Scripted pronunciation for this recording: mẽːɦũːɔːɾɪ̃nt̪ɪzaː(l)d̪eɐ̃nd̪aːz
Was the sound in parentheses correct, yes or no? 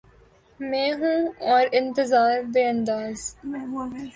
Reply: no